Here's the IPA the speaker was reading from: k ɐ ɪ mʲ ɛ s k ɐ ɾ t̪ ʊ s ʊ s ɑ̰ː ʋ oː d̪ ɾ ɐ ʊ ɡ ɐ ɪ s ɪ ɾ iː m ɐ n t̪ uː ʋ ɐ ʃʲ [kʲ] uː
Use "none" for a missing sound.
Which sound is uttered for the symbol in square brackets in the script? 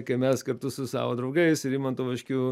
kʲ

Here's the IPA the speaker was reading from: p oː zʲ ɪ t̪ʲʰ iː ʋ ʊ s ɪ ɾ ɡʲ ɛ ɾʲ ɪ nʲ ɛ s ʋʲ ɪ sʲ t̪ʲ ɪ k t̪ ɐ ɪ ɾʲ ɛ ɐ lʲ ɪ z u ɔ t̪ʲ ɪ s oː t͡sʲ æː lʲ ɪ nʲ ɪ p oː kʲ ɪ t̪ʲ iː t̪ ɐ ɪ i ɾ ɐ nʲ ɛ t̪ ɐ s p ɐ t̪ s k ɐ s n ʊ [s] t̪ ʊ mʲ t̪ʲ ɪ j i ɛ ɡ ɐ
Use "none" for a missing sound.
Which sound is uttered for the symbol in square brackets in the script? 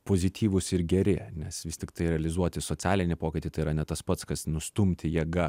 s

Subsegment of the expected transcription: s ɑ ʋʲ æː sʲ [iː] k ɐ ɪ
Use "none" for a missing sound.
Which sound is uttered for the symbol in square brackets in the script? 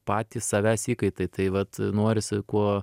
iː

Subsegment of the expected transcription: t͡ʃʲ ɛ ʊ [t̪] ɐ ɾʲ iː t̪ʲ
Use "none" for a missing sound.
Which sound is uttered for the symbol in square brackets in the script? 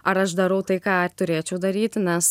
d̪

